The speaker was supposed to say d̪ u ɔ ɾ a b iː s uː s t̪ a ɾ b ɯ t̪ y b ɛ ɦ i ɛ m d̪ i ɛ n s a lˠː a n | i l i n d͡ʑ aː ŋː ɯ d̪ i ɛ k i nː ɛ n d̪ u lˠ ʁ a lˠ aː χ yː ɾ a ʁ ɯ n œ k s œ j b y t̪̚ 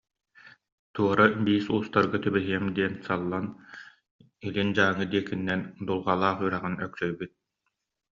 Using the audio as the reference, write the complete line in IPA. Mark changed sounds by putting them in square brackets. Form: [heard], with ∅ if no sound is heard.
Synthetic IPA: [t̪] u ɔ ɾ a b iː s uː s t̪ a ɾ [ɡ] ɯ t̪ y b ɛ ɦ i ɛ m d̪ i ɛ n s a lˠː a n | i l i n d͡ʑ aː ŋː ɯ d̪ i ɛ k i nː ɛ n d̪ u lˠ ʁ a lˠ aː χ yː ɾ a ʁ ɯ n œ k s œ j b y t̪̚